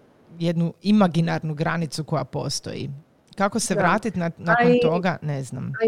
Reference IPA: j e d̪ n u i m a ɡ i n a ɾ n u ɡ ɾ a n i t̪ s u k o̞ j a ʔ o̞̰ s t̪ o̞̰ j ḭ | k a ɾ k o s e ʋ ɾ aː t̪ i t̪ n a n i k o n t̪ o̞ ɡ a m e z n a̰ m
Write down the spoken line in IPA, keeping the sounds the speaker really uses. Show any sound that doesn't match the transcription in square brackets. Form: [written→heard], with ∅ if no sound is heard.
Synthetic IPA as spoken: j e d̪ n u i m a ɡ i n a ɾ n u ɡ ɾ a n i t̪ s u k o̞ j a [ʔ→p] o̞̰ s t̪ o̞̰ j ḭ | k a [ɾ→∅] k o s e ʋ ɾ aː t̪ i t̪ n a n [i→a] k o n t̪ o̞ ɡ a [m→n] e z n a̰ m